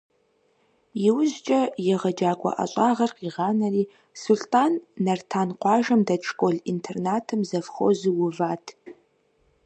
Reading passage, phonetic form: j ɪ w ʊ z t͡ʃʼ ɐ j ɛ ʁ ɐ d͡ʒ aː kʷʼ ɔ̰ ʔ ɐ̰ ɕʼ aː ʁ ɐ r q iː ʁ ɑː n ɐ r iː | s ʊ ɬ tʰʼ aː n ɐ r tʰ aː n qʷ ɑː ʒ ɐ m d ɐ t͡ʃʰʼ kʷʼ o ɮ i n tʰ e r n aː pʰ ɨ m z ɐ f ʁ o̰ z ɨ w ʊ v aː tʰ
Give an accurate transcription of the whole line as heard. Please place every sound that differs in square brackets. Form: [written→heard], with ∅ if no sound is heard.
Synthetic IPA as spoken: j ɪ w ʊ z t͡ʃʼ ɐ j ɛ ʁ ɐ d͡ʒ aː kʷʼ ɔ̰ ʔ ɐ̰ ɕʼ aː ʁ ɐ r q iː ʁ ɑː n ɐ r iː | s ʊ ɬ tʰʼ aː [n→nː] ɐ r tʰ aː n qʷ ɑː ʒ ɐ m d ɐ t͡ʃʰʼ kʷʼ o ɮ i n tʰ e r n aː [pʰ→tʰ] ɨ m z ɐ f [ʁ→χ] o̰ z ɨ w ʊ v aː tʰ